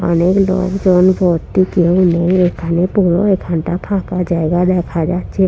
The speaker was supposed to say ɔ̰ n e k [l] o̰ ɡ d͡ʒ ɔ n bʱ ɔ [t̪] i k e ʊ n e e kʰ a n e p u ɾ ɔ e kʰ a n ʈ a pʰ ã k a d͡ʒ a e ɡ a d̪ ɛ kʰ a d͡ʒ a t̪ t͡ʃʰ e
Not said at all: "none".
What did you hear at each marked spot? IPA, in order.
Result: l, t̪

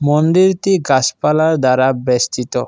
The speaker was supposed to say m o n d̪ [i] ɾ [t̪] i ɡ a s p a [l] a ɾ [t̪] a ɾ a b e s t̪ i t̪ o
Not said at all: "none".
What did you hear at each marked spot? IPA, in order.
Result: i, t̪, l, d̪

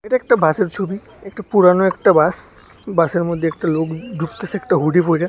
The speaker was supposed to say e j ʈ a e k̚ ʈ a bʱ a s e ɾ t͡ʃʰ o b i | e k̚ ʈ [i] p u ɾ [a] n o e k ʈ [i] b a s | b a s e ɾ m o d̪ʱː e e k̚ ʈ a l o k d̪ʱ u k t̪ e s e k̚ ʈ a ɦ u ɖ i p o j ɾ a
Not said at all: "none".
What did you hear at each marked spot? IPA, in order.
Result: a, a, a

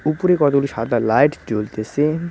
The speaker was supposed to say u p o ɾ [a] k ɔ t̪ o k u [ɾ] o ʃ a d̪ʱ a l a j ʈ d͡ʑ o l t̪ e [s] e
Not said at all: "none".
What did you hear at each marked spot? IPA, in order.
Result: e, l, s

